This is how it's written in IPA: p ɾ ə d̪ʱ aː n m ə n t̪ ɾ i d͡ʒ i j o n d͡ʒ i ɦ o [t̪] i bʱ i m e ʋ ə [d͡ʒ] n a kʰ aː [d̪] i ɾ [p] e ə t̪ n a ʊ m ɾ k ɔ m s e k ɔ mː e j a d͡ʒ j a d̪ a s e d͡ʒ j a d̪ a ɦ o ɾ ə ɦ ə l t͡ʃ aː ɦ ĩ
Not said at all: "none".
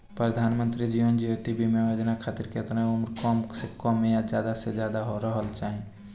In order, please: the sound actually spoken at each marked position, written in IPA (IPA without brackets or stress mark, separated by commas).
t̪, d͡ʒ, t̪, k